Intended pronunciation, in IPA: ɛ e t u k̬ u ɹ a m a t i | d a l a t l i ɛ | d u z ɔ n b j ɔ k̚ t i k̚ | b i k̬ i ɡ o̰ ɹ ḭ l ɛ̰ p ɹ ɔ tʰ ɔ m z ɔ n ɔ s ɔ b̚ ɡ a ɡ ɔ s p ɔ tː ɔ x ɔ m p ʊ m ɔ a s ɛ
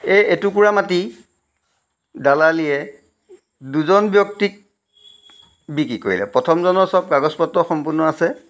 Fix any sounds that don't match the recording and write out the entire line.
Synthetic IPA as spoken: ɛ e t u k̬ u ɹ a m a t i | d a l a l i ɛ | d u z ɔ n b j ɔ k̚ t i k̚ | b i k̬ i k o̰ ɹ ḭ l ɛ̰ p ɹ ɔ tʰ ɔ m z ɔ n ɔ s ɔ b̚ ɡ a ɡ ɔ s p ɔ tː ɔ x ɔ m p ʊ n ɔ a s ɛ